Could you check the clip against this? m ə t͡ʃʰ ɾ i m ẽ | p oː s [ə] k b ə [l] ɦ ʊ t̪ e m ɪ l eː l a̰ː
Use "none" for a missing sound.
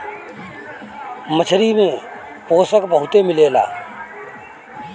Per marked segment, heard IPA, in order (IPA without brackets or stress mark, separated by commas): ə, none